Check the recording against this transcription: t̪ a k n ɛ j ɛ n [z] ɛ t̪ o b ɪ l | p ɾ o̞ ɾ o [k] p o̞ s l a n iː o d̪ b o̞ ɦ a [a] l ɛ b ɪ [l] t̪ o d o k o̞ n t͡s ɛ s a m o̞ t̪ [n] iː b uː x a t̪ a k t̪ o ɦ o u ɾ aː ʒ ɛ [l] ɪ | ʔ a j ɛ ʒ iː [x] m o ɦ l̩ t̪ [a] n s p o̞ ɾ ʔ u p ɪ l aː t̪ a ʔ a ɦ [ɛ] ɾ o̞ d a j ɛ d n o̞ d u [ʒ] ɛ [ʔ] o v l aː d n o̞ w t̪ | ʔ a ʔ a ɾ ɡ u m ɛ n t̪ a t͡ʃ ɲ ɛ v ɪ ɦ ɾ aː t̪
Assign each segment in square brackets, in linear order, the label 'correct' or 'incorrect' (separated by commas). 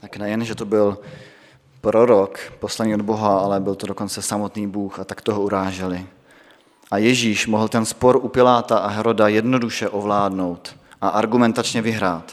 incorrect, correct, correct, correct, correct, correct, incorrect, incorrect, correct, incorrect, correct